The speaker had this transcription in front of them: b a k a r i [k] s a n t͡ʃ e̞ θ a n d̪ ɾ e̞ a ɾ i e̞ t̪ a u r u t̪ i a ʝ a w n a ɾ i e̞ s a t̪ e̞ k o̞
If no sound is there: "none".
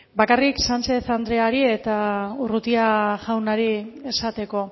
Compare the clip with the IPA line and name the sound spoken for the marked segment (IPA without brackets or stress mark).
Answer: k